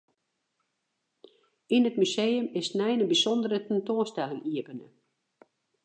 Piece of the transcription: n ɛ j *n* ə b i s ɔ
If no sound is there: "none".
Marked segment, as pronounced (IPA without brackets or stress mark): n